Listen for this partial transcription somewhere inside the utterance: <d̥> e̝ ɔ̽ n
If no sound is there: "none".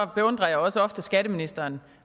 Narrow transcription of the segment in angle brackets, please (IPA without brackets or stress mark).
b̥